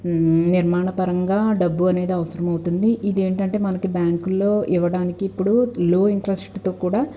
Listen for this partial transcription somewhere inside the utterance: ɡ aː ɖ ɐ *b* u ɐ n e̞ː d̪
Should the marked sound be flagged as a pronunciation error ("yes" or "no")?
yes